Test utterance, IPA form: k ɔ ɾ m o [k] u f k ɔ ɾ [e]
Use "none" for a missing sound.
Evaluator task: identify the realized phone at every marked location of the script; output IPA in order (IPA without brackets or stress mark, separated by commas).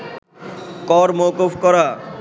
k, a